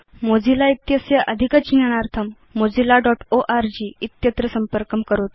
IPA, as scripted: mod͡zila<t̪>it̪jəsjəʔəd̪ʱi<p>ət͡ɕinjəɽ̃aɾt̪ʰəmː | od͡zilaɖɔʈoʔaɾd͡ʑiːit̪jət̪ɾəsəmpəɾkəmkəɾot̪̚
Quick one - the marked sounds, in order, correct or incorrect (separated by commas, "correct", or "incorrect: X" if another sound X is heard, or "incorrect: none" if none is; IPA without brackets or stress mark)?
incorrect: none, incorrect: k